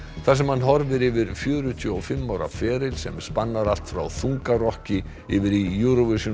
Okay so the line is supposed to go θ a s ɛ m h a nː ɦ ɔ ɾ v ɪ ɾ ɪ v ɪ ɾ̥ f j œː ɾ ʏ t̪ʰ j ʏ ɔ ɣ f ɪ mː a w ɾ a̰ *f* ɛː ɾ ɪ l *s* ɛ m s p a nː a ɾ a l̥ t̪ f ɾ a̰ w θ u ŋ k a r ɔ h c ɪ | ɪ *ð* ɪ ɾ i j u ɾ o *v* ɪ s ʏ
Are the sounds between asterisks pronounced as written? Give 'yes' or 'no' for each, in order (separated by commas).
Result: yes, yes, no, yes